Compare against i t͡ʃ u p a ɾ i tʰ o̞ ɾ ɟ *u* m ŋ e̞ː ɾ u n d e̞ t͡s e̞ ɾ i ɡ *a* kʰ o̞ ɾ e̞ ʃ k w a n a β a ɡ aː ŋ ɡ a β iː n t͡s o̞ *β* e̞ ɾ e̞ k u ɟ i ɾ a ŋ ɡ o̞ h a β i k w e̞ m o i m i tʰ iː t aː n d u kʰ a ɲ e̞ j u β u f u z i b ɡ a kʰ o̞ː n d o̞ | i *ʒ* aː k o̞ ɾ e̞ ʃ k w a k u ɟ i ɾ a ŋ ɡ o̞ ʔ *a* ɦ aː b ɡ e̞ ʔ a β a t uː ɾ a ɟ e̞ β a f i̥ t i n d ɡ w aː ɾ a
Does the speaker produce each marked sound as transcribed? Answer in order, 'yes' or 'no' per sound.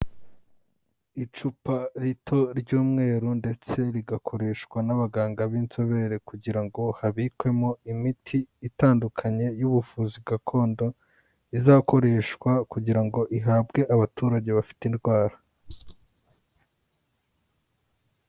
no, yes, yes, no, no

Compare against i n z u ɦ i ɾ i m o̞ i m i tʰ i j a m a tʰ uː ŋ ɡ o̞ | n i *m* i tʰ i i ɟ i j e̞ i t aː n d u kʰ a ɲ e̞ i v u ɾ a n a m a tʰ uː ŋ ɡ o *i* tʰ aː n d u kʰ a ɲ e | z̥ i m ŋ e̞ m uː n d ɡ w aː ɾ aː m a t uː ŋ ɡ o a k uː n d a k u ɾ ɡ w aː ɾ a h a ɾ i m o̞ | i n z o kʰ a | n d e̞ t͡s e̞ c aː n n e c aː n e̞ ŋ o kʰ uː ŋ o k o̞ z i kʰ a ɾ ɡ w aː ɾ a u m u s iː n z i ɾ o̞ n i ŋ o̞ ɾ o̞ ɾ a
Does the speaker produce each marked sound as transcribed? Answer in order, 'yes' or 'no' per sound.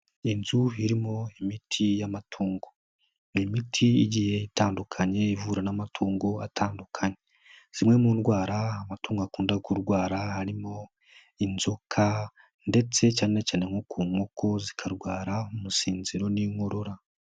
yes, no

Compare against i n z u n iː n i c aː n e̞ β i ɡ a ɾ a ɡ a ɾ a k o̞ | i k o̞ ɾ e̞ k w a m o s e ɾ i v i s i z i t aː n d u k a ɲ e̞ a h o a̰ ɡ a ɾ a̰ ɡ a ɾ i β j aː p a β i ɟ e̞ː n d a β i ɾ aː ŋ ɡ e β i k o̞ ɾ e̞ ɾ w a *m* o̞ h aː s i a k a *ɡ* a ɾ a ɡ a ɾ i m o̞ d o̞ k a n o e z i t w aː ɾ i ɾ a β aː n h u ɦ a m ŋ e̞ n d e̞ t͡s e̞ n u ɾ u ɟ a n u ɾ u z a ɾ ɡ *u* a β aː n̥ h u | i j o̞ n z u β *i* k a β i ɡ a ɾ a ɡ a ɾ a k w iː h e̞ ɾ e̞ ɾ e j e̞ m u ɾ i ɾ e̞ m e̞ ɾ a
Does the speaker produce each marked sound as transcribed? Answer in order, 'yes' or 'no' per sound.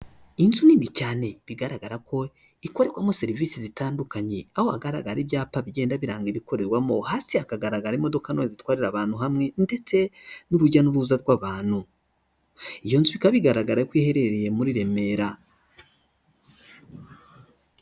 yes, yes, no, yes

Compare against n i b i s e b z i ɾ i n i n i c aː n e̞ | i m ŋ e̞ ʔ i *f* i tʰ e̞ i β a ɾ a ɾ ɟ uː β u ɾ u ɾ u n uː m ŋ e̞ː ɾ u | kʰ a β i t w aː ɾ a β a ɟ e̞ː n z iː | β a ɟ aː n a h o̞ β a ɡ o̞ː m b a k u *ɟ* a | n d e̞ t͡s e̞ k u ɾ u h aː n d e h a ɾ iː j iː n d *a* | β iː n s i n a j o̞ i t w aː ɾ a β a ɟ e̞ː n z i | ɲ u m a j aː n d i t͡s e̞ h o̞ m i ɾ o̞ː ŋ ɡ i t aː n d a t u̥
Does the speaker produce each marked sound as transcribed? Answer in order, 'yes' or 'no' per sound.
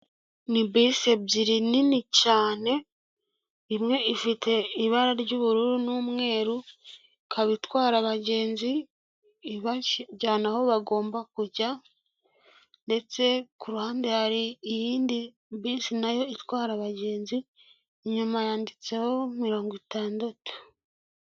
yes, yes, no

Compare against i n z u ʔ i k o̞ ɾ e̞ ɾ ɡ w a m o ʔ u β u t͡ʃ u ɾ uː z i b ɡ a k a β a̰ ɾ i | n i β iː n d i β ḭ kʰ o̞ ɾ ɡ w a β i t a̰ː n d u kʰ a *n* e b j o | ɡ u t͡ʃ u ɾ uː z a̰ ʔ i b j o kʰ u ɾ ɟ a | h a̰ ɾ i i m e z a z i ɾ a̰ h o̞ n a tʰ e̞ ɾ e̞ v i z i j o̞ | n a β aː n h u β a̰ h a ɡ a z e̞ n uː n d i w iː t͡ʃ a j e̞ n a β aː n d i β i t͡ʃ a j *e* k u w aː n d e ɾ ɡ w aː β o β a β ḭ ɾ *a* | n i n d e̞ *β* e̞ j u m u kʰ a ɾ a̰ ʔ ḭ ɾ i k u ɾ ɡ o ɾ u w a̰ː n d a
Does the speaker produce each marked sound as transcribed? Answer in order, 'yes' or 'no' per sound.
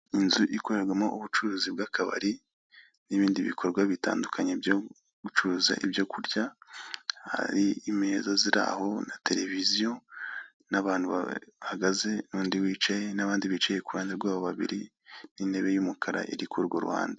no, yes, no, yes

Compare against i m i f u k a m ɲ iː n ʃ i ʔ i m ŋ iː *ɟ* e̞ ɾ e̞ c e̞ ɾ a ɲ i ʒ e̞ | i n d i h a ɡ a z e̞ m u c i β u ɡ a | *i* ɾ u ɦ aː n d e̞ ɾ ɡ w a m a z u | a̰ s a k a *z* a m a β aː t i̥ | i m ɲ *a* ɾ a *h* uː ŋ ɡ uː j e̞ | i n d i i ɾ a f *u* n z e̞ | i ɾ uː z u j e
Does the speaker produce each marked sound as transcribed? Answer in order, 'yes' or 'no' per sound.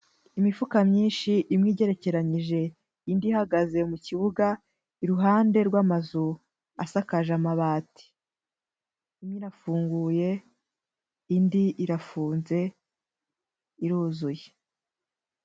yes, yes, no, no, no, no

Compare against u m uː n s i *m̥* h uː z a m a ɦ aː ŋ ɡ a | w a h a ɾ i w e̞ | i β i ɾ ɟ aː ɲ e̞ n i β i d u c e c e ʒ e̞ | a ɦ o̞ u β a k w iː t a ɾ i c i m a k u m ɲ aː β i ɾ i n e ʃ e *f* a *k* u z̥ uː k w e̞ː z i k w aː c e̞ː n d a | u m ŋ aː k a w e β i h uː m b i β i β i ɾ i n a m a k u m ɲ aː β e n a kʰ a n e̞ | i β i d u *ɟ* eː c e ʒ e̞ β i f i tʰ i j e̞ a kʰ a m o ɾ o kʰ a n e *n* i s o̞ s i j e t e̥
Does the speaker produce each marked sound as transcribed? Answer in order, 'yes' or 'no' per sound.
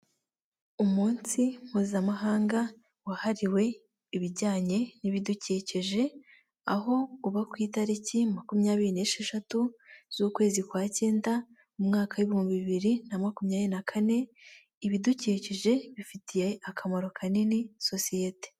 yes, no, no, no, yes

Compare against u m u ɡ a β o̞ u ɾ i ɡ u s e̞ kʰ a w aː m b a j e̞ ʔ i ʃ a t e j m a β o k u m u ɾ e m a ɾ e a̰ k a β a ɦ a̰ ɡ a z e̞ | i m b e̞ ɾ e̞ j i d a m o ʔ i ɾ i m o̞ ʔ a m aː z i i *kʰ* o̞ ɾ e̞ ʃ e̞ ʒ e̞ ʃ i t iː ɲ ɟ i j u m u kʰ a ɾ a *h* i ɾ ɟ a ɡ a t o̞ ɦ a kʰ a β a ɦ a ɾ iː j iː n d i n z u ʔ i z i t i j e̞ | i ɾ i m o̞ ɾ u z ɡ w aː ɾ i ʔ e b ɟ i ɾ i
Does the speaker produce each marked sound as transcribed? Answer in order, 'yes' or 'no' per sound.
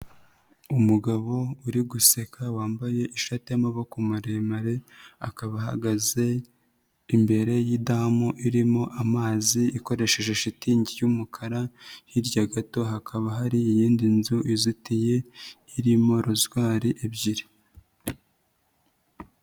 no, yes

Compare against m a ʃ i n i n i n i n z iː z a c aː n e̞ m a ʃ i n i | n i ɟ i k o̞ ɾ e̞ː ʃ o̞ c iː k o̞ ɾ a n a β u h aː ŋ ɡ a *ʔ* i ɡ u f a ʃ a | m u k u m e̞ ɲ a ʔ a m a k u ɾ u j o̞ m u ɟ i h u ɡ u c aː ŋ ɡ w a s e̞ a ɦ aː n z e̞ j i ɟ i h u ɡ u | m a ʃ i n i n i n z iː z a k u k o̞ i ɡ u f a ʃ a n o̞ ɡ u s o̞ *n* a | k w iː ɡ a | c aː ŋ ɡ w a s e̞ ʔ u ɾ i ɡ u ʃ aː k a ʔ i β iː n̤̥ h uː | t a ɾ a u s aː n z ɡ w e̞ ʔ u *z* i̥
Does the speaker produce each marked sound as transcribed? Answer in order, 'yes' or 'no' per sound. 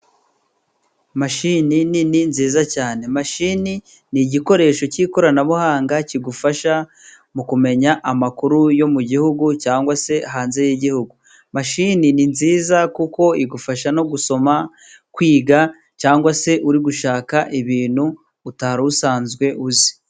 no, no, yes

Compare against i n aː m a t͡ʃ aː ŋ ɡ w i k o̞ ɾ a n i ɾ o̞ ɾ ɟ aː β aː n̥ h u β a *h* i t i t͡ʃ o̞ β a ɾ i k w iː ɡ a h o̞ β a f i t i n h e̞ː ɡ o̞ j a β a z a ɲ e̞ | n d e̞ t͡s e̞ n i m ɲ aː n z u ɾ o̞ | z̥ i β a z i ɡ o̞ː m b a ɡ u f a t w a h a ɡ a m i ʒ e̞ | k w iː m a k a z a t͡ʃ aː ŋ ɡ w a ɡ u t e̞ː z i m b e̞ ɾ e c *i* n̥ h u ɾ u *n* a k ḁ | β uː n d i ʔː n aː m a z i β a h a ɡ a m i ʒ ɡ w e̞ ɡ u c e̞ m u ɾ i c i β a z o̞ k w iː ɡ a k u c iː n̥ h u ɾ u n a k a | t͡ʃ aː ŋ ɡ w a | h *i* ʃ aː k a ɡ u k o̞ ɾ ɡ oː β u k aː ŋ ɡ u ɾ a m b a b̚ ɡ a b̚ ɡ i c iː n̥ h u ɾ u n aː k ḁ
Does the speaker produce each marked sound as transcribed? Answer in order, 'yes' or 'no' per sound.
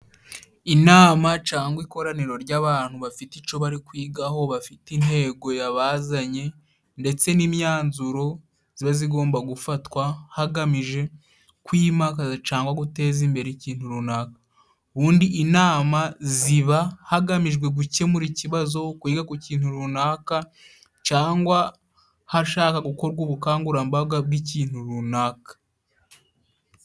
no, no, yes, no

